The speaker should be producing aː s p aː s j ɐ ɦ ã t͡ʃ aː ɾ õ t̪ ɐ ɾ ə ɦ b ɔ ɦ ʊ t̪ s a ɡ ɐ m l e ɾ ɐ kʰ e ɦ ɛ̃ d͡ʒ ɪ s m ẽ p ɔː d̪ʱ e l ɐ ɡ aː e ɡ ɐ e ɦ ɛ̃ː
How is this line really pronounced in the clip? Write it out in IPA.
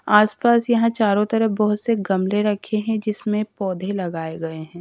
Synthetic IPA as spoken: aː s p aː s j ɐ ɦ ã t͡ʃ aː ɾ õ t̪ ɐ ɾ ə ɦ b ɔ ɦ ʊ t̪ s e ɡ ɐ m l e ɾ ɐ kʰ e ɦ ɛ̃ d͡ʒ ɪ s m ẽ p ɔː d̪ʱ e l ɐ ɡ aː e ɡ ɐ e ɦ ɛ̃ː